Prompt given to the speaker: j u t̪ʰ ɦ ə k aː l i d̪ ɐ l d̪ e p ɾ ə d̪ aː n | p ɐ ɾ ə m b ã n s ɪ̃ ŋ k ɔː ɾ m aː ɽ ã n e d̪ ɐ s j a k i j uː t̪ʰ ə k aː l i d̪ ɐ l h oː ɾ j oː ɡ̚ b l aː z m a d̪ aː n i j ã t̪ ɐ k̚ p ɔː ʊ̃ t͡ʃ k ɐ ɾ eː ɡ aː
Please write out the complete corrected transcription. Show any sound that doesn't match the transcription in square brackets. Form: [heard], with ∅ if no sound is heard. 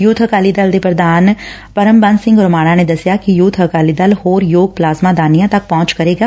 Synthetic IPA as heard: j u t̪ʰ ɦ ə k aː l i d̪ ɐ l d̪ e p ɾ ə d̪ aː n | p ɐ ɾ ə m b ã n s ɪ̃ ŋ [ɡ] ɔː ɾ m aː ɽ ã n e d̪ ɐ s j a k i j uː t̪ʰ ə k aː l i d̪ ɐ l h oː ɾ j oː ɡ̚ [p] l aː z m a d̪ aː n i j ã t̪ ɐ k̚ p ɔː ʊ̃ t͡ʃ k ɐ ɾ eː ɡ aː